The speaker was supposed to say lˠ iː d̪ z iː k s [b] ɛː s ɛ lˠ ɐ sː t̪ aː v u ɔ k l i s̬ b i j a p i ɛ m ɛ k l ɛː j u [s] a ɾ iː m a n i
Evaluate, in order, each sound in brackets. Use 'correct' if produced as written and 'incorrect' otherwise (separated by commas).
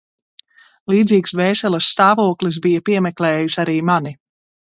incorrect, correct